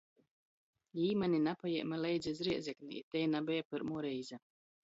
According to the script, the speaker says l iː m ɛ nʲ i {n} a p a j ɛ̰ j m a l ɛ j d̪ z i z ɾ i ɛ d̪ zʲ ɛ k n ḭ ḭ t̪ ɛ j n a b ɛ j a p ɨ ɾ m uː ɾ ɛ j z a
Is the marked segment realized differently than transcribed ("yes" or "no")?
no